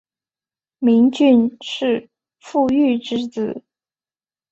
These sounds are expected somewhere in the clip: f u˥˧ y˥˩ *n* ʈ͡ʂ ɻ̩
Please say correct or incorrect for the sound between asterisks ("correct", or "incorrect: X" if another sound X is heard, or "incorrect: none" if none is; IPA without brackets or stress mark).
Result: incorrect: none